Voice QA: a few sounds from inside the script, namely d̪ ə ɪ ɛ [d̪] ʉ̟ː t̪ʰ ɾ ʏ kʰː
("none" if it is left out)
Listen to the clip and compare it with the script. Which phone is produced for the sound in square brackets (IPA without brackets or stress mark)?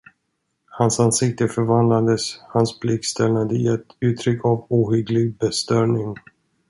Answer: t̪